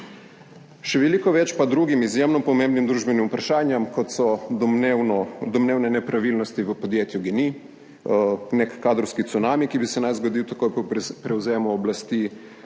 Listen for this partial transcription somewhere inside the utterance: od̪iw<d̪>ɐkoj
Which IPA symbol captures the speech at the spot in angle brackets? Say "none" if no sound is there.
t̪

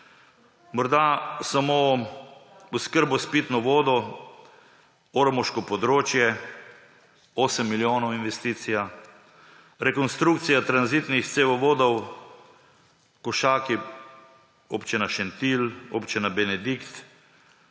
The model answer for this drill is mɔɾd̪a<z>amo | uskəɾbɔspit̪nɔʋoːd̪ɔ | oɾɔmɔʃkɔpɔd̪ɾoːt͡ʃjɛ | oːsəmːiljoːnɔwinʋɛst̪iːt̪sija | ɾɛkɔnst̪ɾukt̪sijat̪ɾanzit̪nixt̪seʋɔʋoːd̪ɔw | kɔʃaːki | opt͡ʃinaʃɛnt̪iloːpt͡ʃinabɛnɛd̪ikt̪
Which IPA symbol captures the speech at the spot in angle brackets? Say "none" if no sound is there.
s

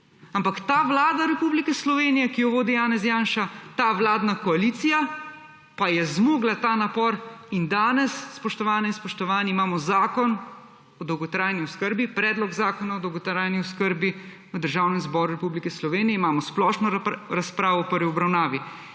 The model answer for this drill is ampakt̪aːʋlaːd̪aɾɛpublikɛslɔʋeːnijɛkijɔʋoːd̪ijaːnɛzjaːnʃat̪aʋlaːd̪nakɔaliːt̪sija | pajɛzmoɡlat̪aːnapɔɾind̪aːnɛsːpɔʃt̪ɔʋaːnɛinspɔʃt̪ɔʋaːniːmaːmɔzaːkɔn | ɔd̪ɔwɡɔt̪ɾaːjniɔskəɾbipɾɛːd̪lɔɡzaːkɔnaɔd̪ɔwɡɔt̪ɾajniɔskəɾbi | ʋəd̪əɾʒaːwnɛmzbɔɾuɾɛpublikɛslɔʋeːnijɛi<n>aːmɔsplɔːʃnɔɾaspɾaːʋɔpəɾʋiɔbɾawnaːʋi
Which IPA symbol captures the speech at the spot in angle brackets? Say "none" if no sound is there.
m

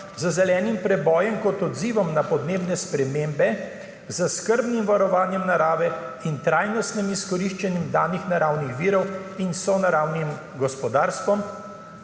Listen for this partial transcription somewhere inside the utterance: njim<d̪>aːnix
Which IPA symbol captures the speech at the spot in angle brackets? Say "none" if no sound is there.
d̪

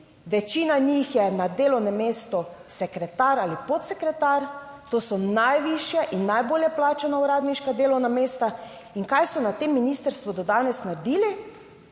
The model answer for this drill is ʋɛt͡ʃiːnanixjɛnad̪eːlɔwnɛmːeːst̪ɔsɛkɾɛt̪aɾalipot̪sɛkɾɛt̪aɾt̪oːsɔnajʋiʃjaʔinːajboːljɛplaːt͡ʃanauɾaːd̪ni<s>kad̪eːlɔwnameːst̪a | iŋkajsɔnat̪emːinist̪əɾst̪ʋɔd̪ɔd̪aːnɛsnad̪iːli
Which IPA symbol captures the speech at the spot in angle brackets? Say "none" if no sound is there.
ʃ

